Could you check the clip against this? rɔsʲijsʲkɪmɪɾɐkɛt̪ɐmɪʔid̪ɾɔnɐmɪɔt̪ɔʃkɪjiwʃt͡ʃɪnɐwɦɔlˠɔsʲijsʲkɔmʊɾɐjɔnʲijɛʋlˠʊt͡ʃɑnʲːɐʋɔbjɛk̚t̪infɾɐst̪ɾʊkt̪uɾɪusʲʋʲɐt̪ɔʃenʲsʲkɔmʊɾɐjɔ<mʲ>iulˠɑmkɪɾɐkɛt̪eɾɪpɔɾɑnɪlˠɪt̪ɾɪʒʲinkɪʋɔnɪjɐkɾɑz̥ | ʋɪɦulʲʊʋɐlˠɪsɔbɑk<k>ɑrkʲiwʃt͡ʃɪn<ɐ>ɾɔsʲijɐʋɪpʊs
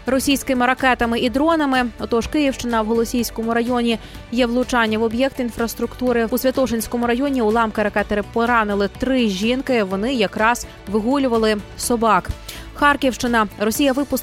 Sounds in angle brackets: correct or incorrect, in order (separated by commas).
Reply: incorrect, incorrect, correct